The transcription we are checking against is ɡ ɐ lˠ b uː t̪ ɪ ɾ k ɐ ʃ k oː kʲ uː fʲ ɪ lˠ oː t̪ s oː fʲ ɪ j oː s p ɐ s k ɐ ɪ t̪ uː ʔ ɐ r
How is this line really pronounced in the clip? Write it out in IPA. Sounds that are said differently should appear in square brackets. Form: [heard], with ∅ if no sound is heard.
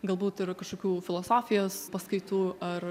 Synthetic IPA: ɡ ɐ lˠ b uː t̪ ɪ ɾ k ɐ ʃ k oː kʲ uː fʲ ɪ lˠ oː [∅] s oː fʲ ɪ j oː s p ɐ s k ɐ ɪ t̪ uː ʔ ɐ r